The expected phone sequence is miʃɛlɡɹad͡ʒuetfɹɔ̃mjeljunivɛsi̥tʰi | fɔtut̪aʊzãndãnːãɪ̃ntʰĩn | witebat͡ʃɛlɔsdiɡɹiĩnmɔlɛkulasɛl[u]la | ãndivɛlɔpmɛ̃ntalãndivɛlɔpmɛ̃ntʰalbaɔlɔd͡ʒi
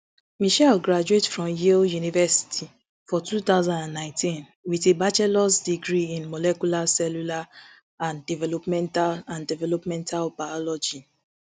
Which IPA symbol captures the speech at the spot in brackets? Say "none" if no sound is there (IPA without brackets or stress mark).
u